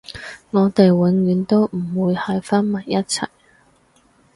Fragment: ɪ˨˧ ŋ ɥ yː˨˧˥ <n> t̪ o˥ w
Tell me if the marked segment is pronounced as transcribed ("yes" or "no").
yes